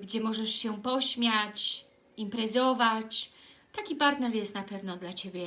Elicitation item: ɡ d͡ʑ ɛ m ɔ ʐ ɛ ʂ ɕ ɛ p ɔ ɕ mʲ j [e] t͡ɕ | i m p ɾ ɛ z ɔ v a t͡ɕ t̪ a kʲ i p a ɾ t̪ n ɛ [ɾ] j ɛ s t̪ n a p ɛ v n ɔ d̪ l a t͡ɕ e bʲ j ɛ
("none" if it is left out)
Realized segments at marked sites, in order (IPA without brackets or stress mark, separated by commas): a, ɾ